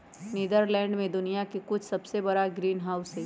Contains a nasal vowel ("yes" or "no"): yes